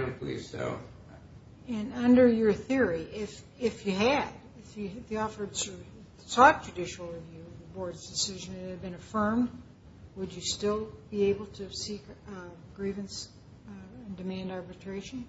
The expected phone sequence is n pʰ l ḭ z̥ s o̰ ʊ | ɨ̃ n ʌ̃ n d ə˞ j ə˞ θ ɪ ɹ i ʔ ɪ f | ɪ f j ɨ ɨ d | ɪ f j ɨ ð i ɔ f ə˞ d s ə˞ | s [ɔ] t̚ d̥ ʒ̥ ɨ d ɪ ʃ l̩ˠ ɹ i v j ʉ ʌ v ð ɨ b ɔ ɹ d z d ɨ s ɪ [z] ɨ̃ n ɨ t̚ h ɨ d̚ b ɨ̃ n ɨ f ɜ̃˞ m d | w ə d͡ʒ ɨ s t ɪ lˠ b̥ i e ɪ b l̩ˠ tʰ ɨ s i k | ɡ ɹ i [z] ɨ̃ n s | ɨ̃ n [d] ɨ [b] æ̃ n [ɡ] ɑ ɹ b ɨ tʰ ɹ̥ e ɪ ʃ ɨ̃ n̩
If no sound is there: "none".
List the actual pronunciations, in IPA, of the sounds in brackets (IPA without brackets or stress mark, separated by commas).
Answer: ɔ, ʒ, v, d, m, d